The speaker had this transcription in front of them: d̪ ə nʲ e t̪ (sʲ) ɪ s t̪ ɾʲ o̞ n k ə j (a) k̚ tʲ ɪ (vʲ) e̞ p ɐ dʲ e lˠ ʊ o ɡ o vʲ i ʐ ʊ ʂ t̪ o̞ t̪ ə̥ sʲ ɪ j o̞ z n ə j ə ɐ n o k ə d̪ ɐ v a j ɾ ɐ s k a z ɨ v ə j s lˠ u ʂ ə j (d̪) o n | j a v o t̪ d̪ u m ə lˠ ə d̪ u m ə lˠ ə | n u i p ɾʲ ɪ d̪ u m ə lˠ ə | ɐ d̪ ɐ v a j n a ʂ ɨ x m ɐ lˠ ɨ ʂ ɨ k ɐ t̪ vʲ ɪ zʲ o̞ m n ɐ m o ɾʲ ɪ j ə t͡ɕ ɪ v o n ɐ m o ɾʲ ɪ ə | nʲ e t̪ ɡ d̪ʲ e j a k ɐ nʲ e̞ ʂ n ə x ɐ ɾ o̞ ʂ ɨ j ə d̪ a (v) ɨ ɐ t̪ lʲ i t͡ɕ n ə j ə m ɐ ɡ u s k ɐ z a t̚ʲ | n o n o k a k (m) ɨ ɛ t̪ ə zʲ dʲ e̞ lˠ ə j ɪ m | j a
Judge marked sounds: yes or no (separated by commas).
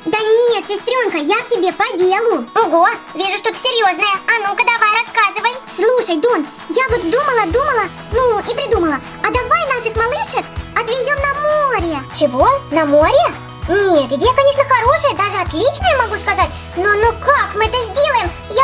yes, yes, no, yes, no, yes